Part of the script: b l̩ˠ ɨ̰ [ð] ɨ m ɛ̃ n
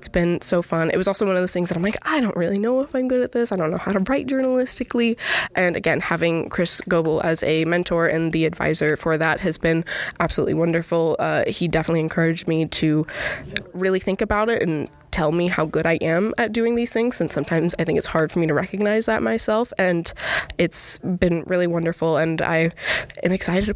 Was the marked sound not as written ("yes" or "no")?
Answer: yes